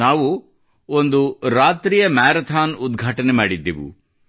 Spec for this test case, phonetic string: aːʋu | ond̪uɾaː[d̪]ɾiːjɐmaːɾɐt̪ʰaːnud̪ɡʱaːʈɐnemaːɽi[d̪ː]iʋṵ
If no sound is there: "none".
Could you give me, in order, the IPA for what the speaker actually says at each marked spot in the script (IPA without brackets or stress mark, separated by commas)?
t̪, d̪ː